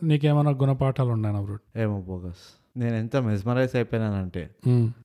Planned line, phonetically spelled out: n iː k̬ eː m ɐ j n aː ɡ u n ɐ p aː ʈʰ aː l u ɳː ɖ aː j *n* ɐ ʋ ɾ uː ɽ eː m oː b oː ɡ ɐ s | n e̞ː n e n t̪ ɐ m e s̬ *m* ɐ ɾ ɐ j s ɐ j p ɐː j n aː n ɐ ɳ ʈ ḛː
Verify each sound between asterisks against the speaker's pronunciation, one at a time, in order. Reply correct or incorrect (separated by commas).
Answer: correct, correct